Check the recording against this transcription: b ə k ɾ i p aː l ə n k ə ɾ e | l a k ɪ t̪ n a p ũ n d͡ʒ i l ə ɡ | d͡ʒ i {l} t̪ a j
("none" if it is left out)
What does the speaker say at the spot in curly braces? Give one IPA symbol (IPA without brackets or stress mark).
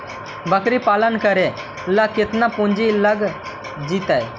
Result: none